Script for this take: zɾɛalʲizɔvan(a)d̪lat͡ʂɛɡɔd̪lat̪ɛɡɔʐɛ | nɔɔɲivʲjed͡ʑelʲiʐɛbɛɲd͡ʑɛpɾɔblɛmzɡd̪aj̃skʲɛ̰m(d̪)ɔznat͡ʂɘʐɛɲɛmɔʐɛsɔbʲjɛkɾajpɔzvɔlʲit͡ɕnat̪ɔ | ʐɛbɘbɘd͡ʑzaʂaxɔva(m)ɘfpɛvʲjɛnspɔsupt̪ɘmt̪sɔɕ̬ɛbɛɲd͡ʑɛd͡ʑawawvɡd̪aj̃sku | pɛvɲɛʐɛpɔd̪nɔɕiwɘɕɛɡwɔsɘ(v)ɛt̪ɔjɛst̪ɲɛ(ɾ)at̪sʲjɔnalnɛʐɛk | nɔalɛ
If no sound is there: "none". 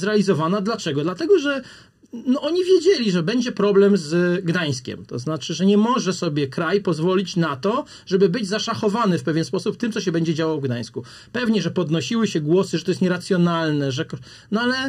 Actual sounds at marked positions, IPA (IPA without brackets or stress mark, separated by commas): a, t̪, n, ʐ, ɾ